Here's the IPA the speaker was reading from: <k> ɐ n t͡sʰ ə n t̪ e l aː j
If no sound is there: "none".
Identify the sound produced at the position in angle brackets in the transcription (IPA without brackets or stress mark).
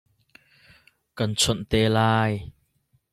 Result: k